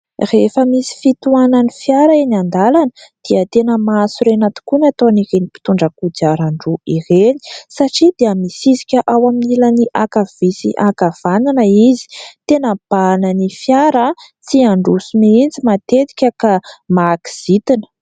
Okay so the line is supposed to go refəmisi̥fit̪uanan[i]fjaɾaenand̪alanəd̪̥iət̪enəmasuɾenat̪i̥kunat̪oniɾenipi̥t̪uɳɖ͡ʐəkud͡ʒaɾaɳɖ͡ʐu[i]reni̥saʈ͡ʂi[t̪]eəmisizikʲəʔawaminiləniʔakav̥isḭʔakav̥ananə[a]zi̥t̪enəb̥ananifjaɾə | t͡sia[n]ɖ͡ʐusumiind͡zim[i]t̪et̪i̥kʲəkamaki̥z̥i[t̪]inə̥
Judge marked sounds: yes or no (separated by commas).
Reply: yes, yes, no, no, no, no, yes